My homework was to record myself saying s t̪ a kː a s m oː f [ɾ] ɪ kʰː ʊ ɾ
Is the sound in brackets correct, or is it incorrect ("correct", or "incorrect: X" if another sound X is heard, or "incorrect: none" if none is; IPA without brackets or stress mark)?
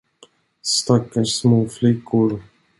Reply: incorrect: l